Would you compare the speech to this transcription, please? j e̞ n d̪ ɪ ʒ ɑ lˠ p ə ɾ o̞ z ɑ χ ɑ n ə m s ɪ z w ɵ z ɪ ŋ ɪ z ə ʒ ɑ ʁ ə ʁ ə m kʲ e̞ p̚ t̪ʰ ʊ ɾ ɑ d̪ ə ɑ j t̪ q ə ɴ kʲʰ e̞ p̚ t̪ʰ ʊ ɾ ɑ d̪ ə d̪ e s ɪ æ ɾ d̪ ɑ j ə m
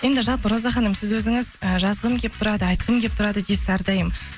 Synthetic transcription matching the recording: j e̞ n d̪ ɪ ʒ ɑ lˠ p ə ɾ o̞ z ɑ χ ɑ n ə m s ɪ z w ɵ z ɪ ŋ ɪ z ə ʒ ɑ z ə ʁ ə m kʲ e̞ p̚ t̪ʰ ʊ ɾ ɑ d̪ ə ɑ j t̪ q ə m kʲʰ e̞ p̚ t̪ʰ ʊ ɾ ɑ d̪ ə d̪ e s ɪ æ ɾ d̪ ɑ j ə m